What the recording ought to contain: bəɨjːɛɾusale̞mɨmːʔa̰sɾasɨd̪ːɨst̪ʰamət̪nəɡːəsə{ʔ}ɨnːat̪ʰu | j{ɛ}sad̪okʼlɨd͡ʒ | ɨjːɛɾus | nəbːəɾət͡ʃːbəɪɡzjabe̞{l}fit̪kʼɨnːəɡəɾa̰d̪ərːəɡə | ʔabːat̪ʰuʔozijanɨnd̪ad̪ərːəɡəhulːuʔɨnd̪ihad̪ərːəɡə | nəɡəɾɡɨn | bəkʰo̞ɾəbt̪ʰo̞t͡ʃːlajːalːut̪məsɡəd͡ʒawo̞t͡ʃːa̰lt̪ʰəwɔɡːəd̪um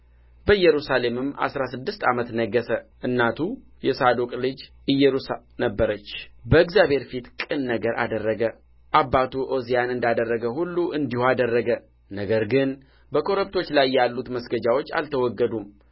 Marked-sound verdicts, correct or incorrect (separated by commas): correct, correct, incorrect